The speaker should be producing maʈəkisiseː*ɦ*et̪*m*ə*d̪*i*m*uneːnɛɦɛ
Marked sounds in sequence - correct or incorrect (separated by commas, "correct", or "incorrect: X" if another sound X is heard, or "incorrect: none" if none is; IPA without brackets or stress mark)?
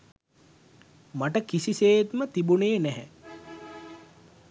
incorrect: none, correct, incorrect: t̪, incorrect: b